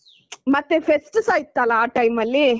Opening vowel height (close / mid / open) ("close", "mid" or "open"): open